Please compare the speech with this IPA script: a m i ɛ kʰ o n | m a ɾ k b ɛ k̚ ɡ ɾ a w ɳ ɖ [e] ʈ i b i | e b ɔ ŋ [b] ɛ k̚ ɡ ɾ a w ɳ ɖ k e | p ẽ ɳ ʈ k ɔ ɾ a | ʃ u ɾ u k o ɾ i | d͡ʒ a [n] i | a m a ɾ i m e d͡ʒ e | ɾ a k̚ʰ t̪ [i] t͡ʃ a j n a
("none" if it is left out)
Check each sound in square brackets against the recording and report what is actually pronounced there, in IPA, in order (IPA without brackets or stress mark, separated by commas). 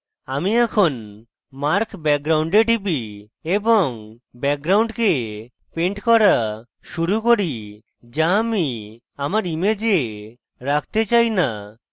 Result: e, b, m, e